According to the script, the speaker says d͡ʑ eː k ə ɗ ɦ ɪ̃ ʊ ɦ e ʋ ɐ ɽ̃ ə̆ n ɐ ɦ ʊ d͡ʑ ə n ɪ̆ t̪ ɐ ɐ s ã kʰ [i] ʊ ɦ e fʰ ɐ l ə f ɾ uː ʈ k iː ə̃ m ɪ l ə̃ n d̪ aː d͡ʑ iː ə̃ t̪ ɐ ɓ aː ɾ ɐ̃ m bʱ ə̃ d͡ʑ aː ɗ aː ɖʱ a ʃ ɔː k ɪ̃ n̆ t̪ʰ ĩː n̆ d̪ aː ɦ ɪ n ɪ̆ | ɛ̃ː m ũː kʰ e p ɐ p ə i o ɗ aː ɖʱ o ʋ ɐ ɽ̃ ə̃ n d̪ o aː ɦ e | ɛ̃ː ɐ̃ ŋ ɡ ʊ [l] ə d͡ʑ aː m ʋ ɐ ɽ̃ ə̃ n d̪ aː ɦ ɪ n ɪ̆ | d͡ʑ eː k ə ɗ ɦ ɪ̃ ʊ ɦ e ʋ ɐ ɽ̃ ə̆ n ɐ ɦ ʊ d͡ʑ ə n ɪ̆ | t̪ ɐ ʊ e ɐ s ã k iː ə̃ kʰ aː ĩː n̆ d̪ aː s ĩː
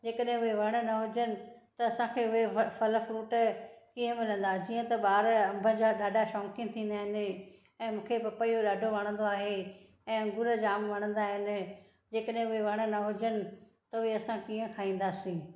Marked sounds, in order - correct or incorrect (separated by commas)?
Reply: incorrect, incorrect